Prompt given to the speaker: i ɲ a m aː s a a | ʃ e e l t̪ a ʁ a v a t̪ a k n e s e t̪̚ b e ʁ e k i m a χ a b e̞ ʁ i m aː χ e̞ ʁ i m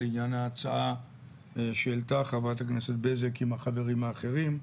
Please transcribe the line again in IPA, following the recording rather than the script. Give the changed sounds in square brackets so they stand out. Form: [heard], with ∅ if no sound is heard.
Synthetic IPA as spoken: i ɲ a [n] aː [t͡s] a a | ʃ e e l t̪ a [χ] a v a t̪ a k n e s e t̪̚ b e [z] e k i m a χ a [v] e̞ ʁ i m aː χ e̞ ʁ i m

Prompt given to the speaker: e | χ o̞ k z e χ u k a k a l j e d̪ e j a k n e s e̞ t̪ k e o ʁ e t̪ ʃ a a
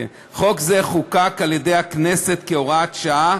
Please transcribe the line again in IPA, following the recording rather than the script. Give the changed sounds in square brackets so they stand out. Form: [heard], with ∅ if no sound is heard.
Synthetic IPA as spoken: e | χ o̞ k z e χ u k a k a l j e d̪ e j a k n e s e̞ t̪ k e o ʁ [a] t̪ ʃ a a

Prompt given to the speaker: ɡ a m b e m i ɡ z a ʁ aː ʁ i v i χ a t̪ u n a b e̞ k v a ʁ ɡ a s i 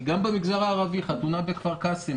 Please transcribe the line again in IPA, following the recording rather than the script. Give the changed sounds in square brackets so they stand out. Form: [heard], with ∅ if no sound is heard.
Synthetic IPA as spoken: ɡ a m b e m i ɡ z a ʁ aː ʁ [a] v i χ a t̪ u n a b e̞ k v a ʁ [k] a s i

